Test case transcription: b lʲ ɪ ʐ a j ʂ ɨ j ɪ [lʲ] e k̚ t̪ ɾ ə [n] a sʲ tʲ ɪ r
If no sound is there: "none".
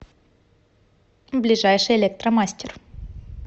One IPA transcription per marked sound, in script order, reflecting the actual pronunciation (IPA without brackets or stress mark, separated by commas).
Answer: lʲ, m